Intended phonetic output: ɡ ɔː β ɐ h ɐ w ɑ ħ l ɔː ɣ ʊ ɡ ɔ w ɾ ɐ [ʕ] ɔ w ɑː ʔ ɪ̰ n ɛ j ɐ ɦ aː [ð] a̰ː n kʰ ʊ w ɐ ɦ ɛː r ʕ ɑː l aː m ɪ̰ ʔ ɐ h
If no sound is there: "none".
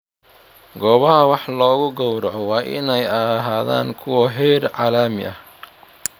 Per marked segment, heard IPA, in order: ʕ, ð

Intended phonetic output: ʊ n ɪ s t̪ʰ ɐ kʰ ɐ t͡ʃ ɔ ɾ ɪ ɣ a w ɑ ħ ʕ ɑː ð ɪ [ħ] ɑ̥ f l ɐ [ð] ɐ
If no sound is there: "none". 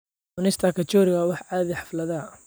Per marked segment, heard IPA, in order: ħ, ð

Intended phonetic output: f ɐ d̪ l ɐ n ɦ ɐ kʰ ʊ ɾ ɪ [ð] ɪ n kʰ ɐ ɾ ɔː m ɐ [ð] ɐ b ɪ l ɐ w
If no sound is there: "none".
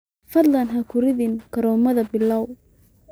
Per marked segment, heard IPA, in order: ð, ð

